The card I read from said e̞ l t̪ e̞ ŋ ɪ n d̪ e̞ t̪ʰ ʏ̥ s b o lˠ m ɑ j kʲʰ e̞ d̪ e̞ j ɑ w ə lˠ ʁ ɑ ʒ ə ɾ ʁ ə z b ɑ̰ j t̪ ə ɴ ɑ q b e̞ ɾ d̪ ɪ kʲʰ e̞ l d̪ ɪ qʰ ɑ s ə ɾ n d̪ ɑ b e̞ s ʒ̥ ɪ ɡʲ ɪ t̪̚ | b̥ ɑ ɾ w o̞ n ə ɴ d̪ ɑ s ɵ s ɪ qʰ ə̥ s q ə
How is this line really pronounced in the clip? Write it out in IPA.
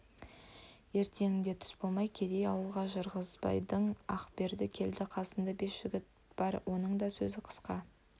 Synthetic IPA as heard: e̞ ɾ t̪ e̞ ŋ ɪ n d̪ e̞ t̪ʰ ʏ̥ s b o lˠ m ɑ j kʲʰ e̞ d̪ e̞ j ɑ w ə lˠ ʁ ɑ ʒ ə ɾ ʁ ə z b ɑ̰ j d̪ ə ɴ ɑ q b e̞ ɾ d̪ ɪ kʲʰ e̞ l d̪ ɪ qʰ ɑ s ə n d̪ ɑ b e̞ s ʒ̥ ɪ ɡʲ ɪ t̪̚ | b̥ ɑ ɾ w o̞ n ə ɴ d̪ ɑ s ɵ z ɪ qʰ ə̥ s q ɑ